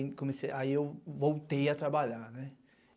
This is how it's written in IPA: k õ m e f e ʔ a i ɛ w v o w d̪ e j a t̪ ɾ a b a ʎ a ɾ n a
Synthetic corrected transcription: k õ m e s e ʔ a i e w v o w t̪ e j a t̪ ɾ a b a ʎ a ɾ n ɛ